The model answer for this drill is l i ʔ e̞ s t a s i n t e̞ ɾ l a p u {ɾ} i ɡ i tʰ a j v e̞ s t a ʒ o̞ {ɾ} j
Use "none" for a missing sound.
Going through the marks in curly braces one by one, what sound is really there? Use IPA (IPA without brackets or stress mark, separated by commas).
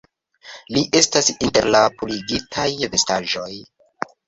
l, none